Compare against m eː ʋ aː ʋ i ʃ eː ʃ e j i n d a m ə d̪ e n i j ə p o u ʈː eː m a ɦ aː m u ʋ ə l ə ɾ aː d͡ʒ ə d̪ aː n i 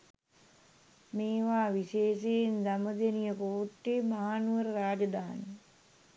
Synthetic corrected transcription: m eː ʋ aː ʋ i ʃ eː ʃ e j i n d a m ə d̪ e n i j ə p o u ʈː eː m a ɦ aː n u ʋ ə ɾ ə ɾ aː d͡ʒ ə d̪ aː n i